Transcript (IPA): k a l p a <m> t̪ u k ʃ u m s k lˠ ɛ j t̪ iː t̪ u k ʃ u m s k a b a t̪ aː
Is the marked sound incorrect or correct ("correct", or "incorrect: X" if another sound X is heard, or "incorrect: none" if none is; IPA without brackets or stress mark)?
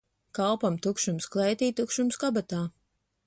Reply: correct